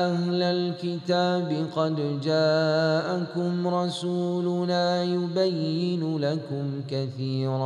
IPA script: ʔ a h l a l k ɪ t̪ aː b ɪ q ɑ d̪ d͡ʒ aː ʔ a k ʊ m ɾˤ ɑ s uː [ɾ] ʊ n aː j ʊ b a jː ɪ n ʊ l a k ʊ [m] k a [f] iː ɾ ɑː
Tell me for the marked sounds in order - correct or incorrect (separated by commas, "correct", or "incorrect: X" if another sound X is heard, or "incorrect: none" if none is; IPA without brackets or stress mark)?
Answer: incorrect: l, correct, incorrect: θ